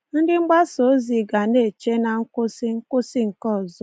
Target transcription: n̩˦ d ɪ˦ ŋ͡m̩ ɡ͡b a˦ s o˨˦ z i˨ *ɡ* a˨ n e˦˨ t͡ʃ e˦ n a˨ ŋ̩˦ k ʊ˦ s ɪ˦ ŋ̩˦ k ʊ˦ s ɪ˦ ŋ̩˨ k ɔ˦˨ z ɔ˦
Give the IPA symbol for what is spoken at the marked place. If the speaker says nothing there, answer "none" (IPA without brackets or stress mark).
ɡ